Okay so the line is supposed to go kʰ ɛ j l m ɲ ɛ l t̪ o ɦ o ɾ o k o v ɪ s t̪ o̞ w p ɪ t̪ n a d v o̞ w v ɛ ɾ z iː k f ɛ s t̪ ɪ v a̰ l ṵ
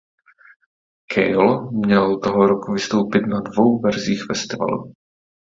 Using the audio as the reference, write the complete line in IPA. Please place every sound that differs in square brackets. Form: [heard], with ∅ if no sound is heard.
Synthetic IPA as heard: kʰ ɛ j l m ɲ ɛ l t̪ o ɦ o ɾ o k [u] v ɪ s t̪ o̞ w p ɪ t̪ n a d v o̞ w v ɛ ɾ z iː [x] f ɛ s t̪ ɪ v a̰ l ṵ